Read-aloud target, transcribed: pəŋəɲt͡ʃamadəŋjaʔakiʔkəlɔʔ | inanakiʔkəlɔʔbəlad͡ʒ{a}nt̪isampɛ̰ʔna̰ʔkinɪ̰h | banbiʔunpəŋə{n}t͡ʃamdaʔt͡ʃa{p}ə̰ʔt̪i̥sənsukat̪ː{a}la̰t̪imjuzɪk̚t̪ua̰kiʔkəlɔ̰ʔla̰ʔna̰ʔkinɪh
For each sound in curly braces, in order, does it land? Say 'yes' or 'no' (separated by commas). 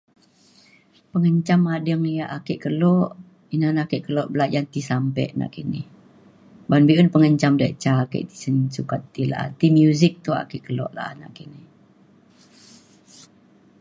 yes, no, no, no